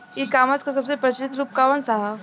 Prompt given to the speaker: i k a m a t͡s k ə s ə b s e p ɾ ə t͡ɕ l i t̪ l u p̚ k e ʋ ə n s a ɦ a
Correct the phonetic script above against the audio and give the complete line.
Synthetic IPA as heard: i k a m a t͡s k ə s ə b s e p ɾ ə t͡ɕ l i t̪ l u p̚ k a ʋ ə n s a ɦ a